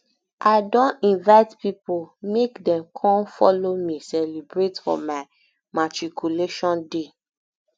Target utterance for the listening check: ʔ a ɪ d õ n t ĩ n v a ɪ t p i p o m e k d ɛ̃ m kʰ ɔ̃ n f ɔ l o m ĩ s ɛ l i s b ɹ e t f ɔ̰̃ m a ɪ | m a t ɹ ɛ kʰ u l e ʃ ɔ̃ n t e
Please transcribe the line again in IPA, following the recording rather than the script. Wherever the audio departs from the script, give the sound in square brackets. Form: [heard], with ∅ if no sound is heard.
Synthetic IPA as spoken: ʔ a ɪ d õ n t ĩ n v a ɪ t p i p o m e k d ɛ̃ m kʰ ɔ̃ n f ɔ l o m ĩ s ɛ l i [∅] b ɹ e t f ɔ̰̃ m a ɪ | m a t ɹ [i] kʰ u l e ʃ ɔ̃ n [d] e